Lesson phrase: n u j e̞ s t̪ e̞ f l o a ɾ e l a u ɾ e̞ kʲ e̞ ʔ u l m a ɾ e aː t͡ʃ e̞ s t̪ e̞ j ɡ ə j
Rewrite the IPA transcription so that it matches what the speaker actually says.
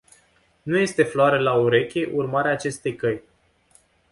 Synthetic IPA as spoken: n u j e̞ s t̪ e̞ f l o a ɾ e l a u ɾ e̞ kʲ e̞ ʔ u r m a ɾ e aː t͡ʃ e̞ s t̪ e̞ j k ə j